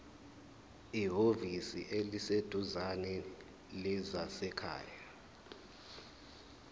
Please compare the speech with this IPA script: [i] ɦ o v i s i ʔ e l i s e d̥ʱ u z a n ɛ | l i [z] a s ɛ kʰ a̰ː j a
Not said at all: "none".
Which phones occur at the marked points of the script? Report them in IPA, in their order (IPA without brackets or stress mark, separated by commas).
i, z